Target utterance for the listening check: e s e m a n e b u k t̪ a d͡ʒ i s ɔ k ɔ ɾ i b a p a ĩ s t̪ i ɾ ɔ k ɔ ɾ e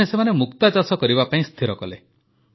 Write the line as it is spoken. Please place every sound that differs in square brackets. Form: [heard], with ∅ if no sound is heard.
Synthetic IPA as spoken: e s e m a n e [m] u k t̪ a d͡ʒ [a] s ɔ k ɔ ɾ i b a p a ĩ s [t̪ʰ] i ɾ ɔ k ɔ [l] e